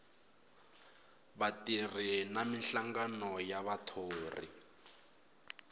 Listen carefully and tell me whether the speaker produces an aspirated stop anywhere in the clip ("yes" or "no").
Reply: yes